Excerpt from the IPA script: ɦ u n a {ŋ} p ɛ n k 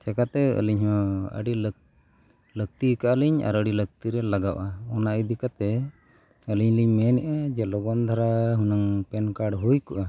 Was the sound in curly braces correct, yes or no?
yes